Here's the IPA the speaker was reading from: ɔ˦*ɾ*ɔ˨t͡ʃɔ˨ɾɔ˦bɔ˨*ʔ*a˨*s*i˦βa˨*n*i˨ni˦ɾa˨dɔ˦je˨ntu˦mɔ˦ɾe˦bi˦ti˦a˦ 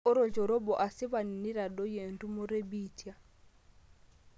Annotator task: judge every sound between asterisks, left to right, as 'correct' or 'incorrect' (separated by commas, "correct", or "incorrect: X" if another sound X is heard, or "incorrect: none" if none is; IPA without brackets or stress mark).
correct, correct, correct, correct